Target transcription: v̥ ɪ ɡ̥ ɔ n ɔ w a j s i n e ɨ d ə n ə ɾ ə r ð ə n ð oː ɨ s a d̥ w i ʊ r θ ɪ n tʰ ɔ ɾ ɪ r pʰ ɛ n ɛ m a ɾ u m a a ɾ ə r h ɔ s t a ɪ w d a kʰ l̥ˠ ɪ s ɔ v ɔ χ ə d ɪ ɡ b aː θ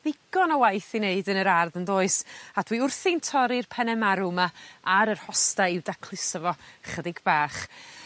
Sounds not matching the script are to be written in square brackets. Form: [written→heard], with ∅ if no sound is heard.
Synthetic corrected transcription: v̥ ɪ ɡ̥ ɔ n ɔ w a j [s→θ] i n e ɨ d ə n ə ɾ [ə→a] r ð ə n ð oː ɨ s a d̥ w i ʊ r θ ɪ n tʰ ɔ ɾ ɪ r pʰ ɛ n ɛ m a ɾ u m a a ɾ ə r h ɔ s t a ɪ w d a kʰ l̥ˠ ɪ s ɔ v ɔ χ ə d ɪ ɡ b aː [θ→χ]